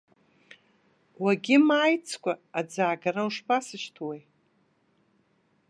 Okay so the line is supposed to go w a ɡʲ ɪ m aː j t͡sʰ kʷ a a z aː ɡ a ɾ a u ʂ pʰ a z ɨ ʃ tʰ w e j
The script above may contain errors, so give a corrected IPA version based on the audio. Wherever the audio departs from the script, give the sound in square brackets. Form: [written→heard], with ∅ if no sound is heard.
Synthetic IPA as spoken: w a ɡʲ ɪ m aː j t͡sʰ kʷ a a [z→d͡z] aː ɡ a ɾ a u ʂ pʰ a [z→s] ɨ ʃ tʰ w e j